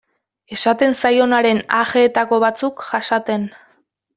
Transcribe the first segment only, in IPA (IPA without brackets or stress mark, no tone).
e̞